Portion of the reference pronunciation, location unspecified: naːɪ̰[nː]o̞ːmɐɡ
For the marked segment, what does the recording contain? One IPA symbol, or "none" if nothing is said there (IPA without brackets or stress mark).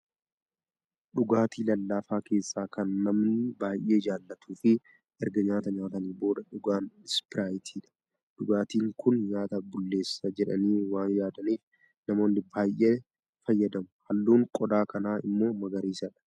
mː